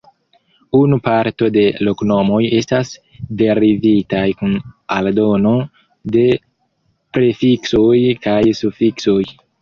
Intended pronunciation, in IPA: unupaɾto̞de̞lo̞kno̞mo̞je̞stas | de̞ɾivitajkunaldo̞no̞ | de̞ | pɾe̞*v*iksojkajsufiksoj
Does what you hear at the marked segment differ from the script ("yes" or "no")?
yes